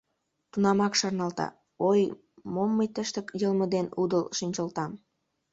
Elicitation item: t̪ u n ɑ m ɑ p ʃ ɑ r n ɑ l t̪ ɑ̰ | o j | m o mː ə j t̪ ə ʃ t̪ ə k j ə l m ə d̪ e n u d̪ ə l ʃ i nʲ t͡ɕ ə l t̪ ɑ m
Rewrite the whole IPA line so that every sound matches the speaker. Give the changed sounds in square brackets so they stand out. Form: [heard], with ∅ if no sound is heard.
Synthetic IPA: t̪ u n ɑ m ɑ [k] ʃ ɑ r n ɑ l t̪ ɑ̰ | o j | m o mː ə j t̪ ə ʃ t̪ ə k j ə l m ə d̪ e n u d̪ ə l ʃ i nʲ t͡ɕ ə l t̪ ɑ m